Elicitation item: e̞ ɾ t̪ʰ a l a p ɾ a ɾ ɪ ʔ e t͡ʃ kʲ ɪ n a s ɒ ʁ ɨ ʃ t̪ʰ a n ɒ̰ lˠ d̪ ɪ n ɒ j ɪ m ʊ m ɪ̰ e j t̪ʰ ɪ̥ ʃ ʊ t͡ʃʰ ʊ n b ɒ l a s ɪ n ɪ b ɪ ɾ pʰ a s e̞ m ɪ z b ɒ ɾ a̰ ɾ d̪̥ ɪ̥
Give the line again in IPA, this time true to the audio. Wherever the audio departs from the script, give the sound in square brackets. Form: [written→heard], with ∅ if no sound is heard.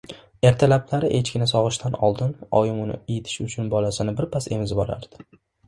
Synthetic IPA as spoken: e̞ ɾ t̪ʰ a l a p [ɾ→l] a ɾ ɪ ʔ e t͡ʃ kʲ ɪ n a s ɒ ʁ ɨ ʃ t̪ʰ a n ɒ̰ lˠ d̪ ɪ n ɒ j ɪ m ʊ [m→n] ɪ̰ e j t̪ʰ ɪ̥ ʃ ʊ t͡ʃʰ ʊ n b ɒ l a s ɪ n ɪ b ɪ ɾ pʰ a s e̞ m ɪ z b ɒ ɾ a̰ ɾ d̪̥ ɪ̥